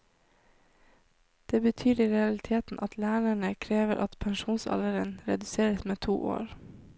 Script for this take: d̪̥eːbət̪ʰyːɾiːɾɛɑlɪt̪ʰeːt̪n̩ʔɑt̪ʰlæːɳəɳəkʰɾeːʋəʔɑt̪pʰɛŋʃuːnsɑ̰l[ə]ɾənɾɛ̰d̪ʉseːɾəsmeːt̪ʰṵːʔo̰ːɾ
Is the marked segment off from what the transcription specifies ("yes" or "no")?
no